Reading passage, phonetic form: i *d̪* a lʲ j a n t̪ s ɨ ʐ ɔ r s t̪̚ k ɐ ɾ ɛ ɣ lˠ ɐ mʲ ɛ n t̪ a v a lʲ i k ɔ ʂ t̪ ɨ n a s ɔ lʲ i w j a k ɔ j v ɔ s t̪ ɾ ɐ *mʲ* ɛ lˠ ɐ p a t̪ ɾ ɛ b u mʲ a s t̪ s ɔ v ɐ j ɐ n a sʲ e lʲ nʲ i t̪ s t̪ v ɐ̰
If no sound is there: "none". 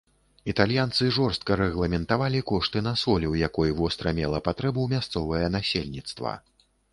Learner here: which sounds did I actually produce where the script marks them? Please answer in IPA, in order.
t̪, mʲ

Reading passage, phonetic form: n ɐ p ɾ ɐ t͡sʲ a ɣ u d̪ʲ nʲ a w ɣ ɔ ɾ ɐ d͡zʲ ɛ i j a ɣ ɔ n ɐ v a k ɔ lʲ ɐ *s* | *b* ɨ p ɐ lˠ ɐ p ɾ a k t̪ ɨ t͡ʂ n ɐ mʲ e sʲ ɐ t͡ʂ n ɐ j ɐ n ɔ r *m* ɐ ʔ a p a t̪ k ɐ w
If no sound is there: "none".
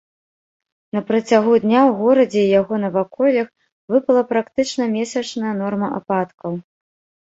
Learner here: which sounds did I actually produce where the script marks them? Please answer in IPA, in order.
x, v, m

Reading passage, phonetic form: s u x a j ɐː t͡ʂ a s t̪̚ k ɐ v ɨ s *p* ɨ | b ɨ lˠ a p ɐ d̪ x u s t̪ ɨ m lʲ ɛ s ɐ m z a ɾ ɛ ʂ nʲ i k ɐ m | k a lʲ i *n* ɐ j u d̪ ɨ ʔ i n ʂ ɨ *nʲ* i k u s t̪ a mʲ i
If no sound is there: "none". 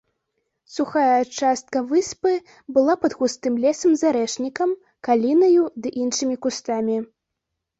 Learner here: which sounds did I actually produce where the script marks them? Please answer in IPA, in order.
p, n, mʲ

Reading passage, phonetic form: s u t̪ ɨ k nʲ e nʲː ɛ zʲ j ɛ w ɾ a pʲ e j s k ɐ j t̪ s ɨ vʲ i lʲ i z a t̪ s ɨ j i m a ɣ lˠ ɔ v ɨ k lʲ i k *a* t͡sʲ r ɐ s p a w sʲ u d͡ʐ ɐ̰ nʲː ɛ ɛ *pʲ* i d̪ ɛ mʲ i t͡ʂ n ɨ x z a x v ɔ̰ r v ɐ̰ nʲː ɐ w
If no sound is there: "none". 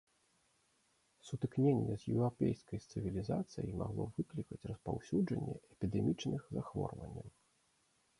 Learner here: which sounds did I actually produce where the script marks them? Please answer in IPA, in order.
ɐ, pʲ

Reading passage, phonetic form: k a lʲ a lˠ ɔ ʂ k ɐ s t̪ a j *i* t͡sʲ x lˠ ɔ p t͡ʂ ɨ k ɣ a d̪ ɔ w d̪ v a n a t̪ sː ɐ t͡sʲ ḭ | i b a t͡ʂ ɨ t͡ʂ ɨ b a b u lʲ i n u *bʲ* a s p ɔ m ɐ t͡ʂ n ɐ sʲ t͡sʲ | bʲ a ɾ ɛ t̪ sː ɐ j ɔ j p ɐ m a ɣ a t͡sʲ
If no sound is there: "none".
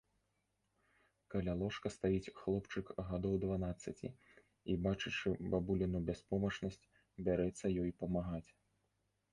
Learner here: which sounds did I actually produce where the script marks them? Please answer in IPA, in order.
i, bʲ

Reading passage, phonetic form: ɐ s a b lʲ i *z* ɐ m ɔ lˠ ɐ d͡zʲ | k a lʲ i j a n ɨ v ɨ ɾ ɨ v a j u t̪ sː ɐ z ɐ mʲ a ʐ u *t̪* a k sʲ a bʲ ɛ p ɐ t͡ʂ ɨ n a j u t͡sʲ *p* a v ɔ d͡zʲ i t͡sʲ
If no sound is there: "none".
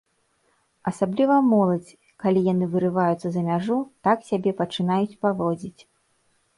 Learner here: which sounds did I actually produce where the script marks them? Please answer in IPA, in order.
v, t̪, p

